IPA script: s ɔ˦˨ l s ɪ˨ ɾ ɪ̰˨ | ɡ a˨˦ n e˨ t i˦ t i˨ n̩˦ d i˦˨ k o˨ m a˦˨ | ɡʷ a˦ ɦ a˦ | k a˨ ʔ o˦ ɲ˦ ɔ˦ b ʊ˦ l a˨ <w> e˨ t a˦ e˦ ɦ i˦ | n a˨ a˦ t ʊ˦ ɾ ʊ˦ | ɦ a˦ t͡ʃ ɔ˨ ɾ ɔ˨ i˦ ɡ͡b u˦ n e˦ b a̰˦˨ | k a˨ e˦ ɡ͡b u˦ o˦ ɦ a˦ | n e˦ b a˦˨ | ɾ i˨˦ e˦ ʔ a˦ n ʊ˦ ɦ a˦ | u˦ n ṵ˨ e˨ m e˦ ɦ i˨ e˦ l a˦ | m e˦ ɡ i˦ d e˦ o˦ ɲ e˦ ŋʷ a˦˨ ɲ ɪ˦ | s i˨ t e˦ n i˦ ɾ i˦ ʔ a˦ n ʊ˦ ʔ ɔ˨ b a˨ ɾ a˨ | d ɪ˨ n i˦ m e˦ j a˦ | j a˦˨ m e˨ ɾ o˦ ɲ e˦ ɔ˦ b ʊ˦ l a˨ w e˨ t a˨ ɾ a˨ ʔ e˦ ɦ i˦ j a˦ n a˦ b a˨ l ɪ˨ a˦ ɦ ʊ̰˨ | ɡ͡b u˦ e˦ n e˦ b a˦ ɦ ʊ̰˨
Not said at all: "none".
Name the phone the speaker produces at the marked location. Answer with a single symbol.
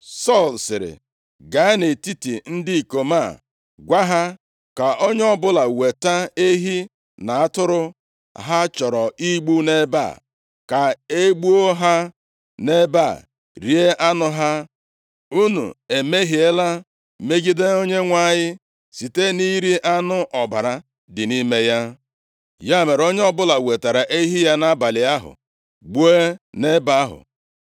w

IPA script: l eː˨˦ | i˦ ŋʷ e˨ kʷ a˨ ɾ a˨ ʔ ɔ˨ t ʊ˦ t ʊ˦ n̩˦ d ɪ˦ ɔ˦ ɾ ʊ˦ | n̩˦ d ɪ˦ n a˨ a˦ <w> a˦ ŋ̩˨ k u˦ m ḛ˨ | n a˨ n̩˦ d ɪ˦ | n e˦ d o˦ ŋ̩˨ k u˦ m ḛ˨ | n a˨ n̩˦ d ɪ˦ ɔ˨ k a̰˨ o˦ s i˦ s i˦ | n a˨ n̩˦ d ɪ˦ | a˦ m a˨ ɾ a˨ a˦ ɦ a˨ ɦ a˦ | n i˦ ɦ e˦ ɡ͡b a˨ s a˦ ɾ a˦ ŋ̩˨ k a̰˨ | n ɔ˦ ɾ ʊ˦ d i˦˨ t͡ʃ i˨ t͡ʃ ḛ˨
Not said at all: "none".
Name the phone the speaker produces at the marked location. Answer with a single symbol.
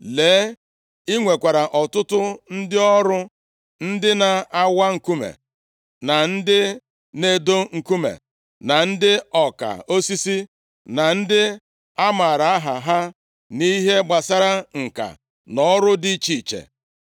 w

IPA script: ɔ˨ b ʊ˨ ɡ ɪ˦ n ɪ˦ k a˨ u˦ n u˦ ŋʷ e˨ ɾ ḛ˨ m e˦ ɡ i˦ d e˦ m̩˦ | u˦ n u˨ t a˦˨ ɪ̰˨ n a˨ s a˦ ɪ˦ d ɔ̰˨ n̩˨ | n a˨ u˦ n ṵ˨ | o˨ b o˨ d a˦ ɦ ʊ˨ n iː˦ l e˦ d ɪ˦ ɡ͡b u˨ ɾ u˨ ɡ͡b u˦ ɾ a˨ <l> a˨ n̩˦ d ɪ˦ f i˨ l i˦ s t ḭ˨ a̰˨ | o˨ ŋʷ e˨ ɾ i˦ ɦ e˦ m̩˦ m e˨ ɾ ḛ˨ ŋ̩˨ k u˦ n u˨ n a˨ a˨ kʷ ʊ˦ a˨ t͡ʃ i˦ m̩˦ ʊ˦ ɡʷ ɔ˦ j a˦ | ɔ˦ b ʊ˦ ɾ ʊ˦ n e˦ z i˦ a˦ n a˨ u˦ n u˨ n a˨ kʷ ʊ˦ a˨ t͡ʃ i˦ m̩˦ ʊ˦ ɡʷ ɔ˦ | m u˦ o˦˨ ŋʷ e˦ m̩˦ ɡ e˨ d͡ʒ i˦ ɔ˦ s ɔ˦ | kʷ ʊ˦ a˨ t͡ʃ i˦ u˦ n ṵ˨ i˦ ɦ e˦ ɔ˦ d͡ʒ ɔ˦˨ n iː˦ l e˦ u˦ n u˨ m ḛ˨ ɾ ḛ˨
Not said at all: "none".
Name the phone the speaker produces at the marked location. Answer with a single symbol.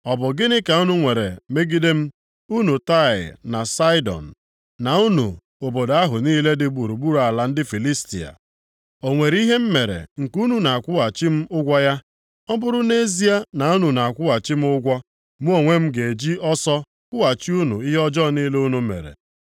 l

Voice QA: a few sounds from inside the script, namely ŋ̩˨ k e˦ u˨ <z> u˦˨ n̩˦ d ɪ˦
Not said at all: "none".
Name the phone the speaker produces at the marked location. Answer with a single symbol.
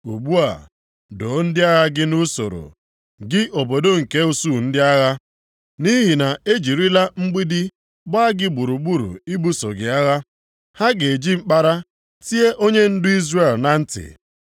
s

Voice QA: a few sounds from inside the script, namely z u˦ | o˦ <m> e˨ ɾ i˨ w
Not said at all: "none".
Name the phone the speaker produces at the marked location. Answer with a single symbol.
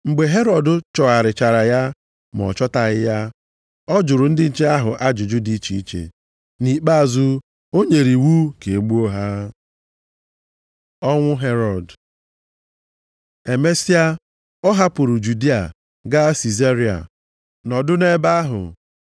ɲ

